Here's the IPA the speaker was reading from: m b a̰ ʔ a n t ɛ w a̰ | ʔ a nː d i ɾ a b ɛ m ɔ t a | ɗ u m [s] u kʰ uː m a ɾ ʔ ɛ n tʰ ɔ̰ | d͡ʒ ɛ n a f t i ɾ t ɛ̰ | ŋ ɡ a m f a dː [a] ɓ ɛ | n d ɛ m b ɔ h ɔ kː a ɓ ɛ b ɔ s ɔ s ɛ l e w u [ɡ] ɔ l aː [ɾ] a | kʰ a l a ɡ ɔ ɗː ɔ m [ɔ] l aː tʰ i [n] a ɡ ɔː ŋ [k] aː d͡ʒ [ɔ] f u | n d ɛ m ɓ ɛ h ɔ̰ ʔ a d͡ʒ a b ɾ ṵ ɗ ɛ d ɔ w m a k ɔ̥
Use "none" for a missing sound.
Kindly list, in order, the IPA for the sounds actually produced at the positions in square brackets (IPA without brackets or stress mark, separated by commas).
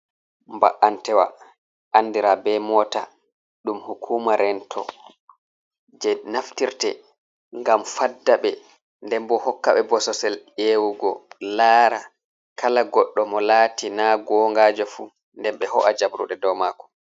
h, a, ɡ, ɾ, ɔ, n, ɡ, ɔ